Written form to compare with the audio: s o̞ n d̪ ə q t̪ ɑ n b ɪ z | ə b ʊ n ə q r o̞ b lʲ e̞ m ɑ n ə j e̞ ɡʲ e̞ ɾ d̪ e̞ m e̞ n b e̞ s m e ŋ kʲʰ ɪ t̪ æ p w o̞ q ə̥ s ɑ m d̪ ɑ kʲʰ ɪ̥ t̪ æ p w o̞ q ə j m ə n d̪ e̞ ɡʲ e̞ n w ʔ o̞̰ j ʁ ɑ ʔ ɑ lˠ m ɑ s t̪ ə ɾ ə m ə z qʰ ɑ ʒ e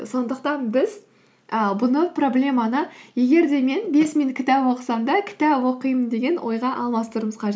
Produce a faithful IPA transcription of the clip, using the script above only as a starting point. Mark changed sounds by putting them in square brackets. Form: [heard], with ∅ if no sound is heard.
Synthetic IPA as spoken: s o̞ n d̪ ə q t̪ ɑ n b ɪ z | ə b ʊ n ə [p] r o̞ b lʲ e̞ m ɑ n ə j e̞ ɡʲ e̞ ɾ d̪ e̞ m e̞ n b e̞ s m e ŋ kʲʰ ɪ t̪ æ p w o̞ q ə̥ s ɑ m d̪ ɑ kʲʰ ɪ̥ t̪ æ p w o̞ q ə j m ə n d̪ e̞ ɡʲ e̞ n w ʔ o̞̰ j ʁ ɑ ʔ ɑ lˠ m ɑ s t̪ ə ɾ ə m ə z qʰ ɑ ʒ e